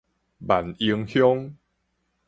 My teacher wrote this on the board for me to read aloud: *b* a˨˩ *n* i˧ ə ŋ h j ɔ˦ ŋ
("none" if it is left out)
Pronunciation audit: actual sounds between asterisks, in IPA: b, n

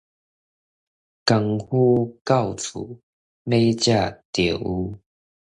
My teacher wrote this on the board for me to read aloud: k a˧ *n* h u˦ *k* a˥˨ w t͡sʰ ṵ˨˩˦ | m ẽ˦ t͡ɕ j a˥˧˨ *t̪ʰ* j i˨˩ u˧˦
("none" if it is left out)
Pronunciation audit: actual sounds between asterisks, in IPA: ŋ, k, t̪

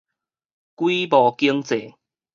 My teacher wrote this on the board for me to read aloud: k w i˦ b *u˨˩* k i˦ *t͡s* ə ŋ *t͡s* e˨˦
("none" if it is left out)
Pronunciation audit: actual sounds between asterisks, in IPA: ɔ˨˩, none, t͡s

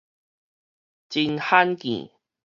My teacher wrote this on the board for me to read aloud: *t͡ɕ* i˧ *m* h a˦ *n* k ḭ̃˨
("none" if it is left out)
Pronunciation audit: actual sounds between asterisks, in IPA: t͡ɕ, n, n

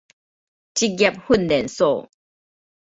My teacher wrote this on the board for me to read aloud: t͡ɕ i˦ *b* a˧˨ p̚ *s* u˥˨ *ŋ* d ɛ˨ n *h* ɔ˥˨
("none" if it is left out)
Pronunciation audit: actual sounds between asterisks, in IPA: ɡ, h, n, s

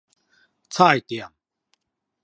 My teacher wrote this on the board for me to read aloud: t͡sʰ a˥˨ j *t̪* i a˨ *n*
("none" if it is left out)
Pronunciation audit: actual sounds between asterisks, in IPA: t̪, m

